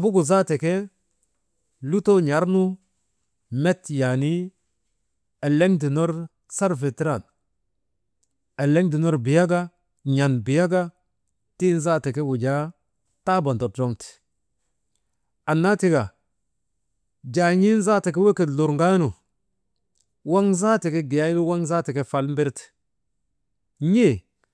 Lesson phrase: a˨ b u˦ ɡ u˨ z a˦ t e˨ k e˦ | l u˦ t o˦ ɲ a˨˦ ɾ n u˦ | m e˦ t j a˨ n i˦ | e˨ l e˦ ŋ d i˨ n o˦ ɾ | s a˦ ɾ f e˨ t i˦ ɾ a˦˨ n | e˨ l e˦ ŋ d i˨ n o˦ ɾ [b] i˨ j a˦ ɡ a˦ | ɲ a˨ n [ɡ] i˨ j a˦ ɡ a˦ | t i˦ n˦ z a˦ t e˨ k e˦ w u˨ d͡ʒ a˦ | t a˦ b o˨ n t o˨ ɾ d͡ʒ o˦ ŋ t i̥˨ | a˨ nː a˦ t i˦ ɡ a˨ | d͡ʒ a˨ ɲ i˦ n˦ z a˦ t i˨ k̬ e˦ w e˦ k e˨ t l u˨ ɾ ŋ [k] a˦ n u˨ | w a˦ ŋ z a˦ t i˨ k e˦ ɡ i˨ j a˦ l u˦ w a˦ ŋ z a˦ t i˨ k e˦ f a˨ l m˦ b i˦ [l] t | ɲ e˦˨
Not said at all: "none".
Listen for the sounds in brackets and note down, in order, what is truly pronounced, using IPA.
b, b, ɡ, ɾ

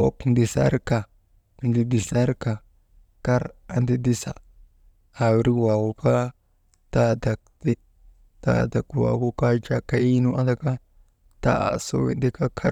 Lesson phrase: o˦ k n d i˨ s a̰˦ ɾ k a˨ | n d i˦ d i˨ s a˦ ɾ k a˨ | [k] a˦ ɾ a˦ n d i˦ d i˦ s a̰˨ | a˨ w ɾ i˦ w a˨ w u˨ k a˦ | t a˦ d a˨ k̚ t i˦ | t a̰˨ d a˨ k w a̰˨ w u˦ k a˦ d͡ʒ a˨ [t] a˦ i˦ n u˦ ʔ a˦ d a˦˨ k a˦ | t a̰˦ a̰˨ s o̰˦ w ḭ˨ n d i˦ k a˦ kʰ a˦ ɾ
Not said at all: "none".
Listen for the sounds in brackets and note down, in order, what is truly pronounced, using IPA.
k, k

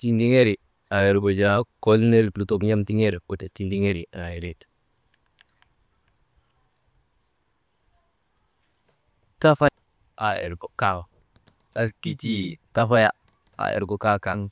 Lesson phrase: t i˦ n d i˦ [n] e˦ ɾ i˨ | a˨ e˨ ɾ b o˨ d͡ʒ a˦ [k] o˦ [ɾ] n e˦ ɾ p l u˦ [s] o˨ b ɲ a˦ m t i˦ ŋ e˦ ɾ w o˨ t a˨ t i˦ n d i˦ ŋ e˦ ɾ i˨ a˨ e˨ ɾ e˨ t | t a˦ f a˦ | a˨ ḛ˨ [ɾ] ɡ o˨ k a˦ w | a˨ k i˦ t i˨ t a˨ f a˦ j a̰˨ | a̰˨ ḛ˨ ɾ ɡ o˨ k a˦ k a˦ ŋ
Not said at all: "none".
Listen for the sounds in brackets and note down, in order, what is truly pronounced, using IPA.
ŋ, k, l, t, ɾ

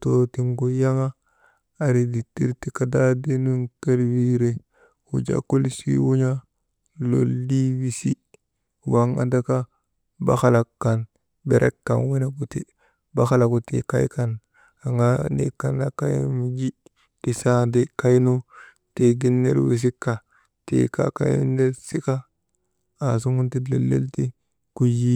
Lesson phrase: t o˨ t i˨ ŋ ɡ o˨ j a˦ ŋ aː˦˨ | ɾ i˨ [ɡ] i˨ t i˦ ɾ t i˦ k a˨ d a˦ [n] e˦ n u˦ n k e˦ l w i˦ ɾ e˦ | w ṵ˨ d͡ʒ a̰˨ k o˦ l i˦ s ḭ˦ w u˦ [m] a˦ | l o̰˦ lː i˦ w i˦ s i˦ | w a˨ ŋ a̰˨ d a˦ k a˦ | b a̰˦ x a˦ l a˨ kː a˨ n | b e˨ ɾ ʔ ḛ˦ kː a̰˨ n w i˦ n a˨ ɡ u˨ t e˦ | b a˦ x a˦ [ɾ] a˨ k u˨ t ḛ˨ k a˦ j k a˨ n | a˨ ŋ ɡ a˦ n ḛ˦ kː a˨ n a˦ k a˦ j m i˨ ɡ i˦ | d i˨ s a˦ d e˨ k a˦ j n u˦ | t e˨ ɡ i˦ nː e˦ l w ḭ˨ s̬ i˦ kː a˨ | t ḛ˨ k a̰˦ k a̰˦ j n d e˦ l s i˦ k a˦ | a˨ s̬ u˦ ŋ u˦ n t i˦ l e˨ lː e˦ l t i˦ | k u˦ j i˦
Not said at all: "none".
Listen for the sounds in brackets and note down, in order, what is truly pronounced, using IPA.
d, d, ɲ, l

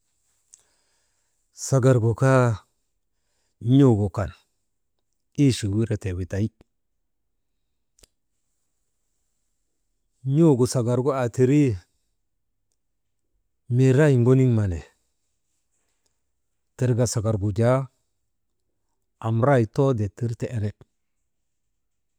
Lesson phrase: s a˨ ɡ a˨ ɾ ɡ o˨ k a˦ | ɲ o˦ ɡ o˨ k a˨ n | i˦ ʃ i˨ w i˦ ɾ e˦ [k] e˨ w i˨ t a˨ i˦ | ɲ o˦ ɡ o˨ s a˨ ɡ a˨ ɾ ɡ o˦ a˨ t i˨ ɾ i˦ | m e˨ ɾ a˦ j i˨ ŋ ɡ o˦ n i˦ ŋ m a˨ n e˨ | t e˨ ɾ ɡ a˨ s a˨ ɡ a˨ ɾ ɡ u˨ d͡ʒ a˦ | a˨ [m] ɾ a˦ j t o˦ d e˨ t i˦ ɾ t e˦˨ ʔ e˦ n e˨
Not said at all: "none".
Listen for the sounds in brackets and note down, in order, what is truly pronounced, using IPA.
t, m

